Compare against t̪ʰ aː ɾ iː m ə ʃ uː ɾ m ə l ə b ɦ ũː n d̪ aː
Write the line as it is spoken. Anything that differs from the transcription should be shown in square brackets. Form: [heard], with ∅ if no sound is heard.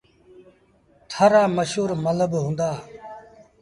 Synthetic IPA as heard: t̪ʰ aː ɾ [aː] m ə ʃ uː ɾ m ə l ə b ɦ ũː n d̪ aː